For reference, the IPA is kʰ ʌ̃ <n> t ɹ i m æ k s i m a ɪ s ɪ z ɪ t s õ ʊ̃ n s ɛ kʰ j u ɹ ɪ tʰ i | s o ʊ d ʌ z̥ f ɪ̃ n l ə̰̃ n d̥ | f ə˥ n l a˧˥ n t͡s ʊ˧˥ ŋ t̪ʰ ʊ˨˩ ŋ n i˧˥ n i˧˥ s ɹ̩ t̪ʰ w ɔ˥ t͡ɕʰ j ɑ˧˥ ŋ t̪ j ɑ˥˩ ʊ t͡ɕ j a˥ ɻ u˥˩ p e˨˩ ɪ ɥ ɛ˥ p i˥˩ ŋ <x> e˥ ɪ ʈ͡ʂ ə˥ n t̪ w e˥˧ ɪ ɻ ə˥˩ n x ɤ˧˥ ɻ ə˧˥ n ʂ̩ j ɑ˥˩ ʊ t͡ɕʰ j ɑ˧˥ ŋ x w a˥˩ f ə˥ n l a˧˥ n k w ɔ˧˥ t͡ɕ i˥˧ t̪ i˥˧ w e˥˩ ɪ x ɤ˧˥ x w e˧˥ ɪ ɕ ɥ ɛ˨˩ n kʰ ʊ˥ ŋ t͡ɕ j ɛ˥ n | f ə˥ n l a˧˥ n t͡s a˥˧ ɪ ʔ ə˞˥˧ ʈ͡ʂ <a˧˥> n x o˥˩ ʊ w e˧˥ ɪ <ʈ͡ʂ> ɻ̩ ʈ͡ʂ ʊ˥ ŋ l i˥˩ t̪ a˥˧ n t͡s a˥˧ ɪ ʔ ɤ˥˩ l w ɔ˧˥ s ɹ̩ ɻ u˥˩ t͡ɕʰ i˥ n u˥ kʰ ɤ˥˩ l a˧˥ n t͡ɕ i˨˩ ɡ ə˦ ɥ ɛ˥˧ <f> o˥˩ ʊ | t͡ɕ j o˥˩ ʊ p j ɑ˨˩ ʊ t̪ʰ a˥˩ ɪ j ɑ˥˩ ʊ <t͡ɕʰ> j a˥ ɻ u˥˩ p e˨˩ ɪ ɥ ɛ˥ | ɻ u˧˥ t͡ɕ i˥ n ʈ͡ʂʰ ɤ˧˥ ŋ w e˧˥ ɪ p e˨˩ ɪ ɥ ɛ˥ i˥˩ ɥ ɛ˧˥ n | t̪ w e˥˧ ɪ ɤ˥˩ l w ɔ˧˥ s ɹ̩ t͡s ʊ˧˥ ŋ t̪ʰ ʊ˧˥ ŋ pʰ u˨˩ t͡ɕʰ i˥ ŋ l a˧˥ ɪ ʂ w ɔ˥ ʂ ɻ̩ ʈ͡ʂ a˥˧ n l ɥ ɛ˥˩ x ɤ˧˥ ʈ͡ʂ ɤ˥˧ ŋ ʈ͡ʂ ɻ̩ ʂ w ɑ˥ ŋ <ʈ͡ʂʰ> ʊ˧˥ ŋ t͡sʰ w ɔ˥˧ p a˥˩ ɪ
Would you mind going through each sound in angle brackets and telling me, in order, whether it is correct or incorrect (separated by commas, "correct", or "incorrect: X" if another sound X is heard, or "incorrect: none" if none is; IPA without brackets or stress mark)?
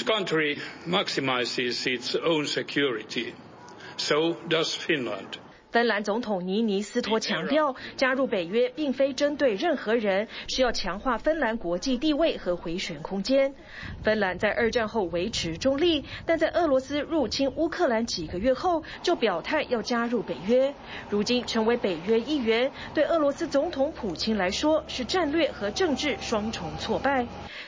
correct, incorrect: f, incorrect: a˥˧, incorrect: ʈ͡ʂʰ, incorrect: x, incorrect: t͡ɕ, correct